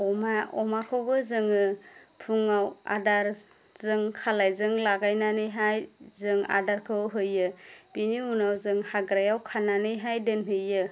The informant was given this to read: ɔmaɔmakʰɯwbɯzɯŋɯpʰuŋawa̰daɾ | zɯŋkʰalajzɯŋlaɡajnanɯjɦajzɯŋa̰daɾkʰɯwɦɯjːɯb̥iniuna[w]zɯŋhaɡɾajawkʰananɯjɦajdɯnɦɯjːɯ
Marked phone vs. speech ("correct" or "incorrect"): correct